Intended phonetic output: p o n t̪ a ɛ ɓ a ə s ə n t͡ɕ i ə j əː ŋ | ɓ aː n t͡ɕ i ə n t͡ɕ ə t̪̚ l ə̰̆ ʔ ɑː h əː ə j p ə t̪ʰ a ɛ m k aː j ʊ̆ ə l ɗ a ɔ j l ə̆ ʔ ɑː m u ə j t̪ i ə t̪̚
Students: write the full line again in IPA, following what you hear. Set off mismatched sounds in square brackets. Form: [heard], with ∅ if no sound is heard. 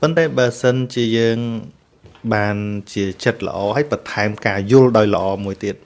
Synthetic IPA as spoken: p o n t̪ a ɛ ɓ a ə s ə n t͡ɕ i ə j əː ŋ | ɓ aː n t͡ɕ i ə [∅] t͡ɕ ə t̪̚ l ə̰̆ ʔ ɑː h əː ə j p [ɑ] t̪ʰ a ɛ m k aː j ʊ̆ ə l ɗ a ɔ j l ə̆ ʔ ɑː m u ə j t̪ i ə t̪̚